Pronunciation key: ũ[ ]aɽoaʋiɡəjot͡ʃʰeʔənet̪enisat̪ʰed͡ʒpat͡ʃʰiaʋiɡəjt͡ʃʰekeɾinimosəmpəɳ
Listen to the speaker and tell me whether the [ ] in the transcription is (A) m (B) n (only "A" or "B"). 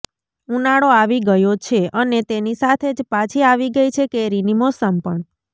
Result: B